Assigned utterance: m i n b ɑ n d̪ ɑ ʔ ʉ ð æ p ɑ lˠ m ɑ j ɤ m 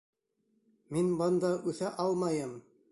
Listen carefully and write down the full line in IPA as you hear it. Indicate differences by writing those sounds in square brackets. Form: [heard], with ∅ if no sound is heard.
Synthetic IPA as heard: m i n b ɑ n d̪ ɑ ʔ ʉ [θ] æ [ʔ] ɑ lˠ m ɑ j ɤ m